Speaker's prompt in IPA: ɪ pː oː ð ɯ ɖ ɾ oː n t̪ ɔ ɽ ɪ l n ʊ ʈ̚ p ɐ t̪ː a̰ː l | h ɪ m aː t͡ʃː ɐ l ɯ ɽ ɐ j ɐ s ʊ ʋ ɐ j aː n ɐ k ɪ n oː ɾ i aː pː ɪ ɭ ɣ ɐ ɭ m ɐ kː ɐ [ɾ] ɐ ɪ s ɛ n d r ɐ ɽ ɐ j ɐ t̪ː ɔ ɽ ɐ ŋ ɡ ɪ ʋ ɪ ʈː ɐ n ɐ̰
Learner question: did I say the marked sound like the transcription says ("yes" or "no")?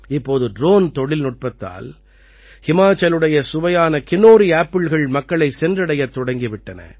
no